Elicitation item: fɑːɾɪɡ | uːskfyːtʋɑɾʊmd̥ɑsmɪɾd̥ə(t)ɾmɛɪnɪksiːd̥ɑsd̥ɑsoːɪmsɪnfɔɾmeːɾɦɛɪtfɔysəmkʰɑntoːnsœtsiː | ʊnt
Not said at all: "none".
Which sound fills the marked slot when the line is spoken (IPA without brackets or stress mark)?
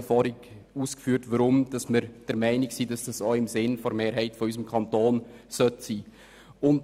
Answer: none